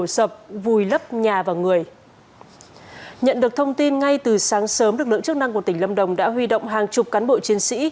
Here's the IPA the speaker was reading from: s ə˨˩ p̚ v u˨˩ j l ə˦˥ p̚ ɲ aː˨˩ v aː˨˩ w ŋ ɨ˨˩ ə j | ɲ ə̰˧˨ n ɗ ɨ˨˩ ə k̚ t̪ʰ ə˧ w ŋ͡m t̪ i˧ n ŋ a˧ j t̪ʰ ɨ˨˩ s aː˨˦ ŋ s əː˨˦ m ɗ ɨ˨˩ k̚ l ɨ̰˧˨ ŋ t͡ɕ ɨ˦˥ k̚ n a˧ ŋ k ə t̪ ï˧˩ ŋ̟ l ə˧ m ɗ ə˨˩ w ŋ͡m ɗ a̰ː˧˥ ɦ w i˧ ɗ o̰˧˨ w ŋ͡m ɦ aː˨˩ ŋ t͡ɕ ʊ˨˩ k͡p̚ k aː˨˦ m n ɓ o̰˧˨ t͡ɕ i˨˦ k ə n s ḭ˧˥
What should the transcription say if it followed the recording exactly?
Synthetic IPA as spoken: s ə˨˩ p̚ v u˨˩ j l ə˦˥ p̚ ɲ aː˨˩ v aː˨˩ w ŋ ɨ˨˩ ə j | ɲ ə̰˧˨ n ɗ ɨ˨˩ ə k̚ t̪ʰ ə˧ w ŋ͡m t̪ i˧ n ŋ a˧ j t̪ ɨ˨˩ s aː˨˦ ŋ s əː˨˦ m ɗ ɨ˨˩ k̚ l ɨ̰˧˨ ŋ t͡ɕ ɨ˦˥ k̚ n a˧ ŋ k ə t̪ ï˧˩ ŋ̟ l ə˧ m ɗ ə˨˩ w ŋ͡m ɗ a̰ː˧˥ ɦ w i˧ ɗ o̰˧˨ w ŋ͡m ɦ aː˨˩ ŋ t͡ɕ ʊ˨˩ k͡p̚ k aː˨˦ n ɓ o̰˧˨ t͡ɕ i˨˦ ə n s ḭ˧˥